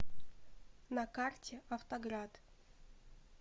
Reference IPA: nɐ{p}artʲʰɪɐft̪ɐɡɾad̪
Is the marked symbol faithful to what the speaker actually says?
no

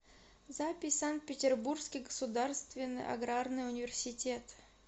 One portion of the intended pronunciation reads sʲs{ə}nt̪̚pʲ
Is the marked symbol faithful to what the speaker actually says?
no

